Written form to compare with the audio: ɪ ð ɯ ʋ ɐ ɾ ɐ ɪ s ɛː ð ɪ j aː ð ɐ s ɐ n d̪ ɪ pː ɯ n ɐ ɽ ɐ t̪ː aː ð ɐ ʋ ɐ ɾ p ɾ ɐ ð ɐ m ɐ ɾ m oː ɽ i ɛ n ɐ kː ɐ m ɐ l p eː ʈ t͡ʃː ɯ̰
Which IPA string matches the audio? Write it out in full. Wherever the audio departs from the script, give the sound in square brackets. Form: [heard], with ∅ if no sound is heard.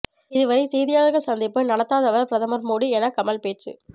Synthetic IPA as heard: ɪ ð ɯ ʋ ɐ ɾ ɐ ɪ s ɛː ð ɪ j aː [ɣ] ɐ s ɐ n d̪ ɪ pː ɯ n ɐ ɽ ɐ t̪ː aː ð ɐ ʋ ɐ ɾ p ɾ ɐ ð ɐ m ɐ ɾ m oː ɽ i ɛ n ɐ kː ɐ m ɐ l p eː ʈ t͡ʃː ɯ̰